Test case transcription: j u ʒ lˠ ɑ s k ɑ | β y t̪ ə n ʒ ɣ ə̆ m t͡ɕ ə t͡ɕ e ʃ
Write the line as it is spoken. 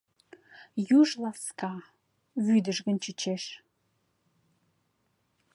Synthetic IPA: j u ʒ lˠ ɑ s k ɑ | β y d̪ ə ʒ ɣ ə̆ n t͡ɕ ə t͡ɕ e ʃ